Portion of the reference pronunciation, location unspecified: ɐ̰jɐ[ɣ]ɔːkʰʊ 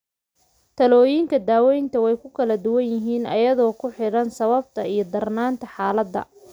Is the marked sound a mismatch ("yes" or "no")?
yes